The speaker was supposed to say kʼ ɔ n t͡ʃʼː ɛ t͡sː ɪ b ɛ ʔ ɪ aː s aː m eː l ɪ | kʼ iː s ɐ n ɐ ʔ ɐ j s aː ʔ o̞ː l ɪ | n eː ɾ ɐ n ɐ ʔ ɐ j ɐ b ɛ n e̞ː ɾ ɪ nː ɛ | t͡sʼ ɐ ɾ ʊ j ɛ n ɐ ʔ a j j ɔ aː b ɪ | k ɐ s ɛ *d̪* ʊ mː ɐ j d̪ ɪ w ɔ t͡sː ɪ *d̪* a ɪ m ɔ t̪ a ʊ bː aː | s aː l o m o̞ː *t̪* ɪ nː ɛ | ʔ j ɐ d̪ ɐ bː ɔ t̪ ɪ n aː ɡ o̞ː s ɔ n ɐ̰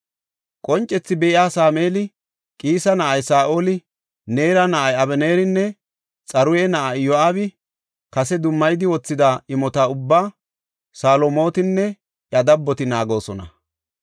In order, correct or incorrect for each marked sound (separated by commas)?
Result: correct, correct, correct